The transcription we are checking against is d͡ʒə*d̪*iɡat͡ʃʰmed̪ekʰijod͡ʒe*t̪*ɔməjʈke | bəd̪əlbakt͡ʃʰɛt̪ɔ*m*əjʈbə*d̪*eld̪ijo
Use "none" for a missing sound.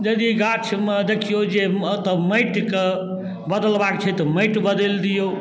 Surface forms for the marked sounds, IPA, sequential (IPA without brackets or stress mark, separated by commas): d̪, t̪, m, d̪